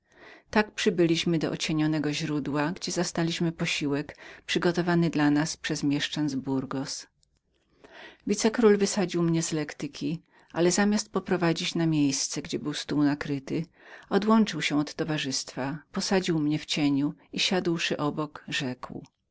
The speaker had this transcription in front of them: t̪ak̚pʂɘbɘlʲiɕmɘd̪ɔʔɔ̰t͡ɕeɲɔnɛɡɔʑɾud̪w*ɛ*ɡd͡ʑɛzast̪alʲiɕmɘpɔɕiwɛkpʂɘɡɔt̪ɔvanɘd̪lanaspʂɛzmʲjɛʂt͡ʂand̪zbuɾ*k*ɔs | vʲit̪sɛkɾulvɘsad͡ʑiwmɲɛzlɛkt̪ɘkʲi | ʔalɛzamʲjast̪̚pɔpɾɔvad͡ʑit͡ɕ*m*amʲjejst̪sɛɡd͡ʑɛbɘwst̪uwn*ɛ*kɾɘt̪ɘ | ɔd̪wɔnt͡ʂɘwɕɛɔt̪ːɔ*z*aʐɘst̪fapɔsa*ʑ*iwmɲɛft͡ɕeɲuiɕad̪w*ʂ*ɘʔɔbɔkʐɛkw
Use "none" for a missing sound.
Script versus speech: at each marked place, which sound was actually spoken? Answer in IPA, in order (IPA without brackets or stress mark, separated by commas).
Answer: a, ɡ, n, a, v, d͡ʑ, ʂ